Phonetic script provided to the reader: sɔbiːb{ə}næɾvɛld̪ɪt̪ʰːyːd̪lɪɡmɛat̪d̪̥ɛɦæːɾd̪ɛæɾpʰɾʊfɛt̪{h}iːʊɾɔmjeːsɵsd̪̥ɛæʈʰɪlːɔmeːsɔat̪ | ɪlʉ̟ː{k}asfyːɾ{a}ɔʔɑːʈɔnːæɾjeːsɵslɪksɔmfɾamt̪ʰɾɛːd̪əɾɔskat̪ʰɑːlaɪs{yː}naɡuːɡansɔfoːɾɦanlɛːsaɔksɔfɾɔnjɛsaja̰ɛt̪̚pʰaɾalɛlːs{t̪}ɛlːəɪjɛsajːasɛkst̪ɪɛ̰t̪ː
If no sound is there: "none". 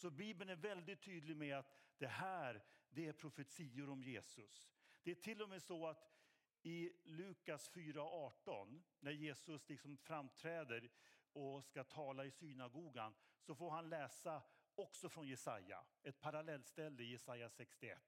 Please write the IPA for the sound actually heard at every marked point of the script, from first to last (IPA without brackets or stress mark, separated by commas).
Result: ə, s, k, a, yː, t̪